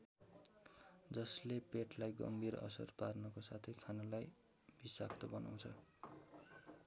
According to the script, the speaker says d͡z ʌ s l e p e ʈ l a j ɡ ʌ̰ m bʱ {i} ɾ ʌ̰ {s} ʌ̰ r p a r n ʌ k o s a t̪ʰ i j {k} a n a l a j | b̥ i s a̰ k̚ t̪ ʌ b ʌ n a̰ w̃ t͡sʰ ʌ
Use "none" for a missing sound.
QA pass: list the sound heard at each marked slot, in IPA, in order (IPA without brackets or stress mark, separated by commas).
i, s, kʰ